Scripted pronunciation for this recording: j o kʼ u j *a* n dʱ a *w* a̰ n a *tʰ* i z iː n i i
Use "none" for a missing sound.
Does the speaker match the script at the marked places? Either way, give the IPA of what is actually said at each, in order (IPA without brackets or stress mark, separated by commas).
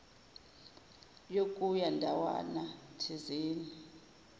a, w, tʰ